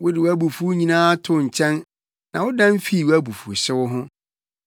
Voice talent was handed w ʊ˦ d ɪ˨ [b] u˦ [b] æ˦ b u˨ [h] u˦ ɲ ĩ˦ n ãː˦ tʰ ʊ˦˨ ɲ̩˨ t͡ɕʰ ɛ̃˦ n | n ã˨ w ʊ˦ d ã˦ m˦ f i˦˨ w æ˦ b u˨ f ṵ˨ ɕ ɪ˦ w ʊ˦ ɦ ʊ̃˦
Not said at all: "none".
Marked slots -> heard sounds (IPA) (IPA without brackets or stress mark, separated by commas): w, none, f